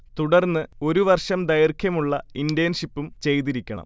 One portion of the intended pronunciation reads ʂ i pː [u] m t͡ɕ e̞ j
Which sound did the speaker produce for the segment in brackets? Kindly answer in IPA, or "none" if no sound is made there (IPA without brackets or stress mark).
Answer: u